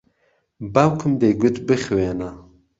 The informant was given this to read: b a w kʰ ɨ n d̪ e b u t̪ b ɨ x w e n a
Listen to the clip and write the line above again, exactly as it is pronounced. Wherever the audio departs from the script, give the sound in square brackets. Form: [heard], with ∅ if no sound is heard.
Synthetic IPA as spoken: b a w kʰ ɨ [m] d̪ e [ɡ] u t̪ b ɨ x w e n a